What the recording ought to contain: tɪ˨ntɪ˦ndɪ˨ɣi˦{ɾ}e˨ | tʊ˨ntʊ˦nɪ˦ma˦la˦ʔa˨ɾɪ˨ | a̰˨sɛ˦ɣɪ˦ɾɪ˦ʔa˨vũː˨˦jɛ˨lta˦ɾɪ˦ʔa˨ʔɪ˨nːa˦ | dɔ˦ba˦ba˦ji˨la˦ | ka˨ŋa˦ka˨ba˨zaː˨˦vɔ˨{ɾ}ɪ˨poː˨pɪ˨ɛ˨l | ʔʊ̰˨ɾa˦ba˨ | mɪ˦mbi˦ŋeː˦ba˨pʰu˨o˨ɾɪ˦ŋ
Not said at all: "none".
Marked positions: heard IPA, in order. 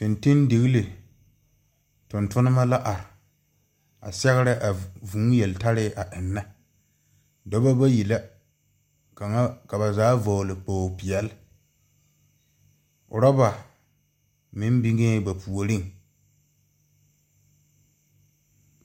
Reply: l, l

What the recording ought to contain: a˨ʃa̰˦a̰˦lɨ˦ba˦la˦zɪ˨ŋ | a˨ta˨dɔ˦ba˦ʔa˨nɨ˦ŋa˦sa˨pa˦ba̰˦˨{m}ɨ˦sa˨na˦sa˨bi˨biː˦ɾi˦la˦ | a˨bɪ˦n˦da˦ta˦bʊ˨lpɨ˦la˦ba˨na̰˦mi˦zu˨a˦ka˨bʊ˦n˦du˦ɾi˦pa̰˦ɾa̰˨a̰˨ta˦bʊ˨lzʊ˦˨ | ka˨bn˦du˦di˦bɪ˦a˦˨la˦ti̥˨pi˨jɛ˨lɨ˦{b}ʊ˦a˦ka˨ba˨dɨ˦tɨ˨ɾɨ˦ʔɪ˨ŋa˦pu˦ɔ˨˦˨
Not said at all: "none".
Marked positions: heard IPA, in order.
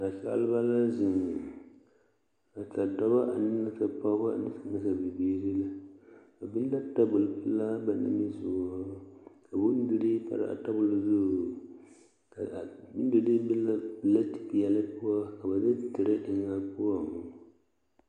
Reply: n, p

